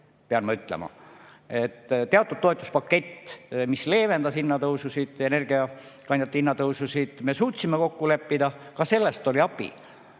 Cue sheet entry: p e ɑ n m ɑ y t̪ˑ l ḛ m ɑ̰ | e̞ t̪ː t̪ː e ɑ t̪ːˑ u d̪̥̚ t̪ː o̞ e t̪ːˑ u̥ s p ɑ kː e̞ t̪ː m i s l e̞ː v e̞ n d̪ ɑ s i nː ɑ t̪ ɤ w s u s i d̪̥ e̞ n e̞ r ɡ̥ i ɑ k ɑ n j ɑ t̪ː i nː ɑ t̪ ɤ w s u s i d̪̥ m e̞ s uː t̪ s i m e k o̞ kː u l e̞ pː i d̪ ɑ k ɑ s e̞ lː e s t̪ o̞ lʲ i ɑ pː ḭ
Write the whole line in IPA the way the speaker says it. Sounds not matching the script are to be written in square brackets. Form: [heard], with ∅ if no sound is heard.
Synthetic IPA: p e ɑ n m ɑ y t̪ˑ l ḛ m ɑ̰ | e̞ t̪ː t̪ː e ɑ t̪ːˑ u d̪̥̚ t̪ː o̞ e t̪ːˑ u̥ s p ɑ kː e̞ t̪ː m i s l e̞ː v e̞ n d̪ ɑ s i nː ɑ t̪ ɤ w s u s i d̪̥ e̞ n e̞ r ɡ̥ i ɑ k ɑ n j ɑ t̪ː i nː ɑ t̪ ɤ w s u s i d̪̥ m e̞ s uː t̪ s i m e k o̞ kː u l e̞ pː i d̪ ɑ k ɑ s e̞ lː e s t̪ o̞ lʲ i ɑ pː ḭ

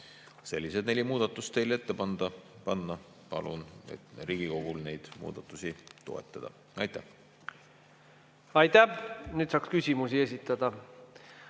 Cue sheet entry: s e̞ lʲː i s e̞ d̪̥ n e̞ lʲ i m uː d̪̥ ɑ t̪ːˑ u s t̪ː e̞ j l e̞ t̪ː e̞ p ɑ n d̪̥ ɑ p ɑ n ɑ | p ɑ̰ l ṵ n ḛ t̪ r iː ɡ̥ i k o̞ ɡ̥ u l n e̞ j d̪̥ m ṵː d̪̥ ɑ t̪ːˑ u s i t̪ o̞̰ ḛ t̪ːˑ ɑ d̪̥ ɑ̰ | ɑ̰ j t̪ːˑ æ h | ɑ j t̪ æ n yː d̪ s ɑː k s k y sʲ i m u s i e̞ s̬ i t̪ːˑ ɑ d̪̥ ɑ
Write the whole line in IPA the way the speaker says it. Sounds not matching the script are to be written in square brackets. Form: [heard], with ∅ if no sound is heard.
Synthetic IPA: s e̞ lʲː i s e̞ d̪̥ n e̞ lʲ i m uː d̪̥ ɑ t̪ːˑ u s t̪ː e̞ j l e̞ t̪ː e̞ p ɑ n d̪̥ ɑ p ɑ [nː] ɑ | p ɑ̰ l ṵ n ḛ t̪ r iː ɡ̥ i k o̞ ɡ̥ u l n e̞ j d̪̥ m ṵː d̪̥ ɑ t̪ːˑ u s i t̪ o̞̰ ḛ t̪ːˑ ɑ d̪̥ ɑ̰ | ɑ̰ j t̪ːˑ æ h | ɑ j t̪ æ n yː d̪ s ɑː k s k y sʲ i m u s i e̞ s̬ i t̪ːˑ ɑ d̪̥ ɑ

